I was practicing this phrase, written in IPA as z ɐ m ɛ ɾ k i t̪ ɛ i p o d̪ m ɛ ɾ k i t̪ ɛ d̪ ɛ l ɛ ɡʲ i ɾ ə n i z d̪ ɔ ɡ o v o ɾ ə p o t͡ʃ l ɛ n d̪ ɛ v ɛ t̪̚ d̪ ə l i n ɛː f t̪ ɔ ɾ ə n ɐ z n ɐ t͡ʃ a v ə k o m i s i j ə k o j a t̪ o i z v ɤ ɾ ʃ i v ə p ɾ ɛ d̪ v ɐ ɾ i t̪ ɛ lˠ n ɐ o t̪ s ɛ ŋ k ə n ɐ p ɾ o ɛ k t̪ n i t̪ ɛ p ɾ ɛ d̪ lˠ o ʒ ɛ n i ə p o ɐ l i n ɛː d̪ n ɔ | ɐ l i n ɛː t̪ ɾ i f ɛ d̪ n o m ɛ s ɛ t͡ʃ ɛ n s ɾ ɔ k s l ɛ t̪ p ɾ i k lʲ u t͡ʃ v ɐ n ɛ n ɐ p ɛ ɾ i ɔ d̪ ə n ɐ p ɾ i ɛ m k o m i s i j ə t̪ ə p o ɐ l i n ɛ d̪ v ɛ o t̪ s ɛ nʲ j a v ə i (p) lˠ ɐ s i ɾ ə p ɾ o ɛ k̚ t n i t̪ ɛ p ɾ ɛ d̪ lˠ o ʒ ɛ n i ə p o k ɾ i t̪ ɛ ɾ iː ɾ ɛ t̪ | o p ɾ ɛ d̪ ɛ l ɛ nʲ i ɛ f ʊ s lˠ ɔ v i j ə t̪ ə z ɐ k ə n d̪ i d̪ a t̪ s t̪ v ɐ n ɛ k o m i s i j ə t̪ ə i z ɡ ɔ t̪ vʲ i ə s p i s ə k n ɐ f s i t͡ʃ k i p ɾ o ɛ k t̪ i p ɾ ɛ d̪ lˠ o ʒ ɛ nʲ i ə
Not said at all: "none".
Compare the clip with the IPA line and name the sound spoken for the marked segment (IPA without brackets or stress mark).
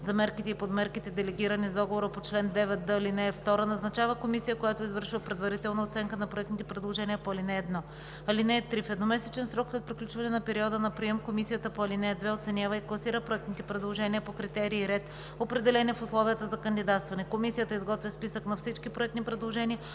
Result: k